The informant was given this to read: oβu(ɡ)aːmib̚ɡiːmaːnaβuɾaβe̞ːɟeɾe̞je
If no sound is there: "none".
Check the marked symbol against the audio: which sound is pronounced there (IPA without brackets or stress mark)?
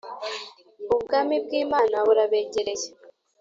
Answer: ɡ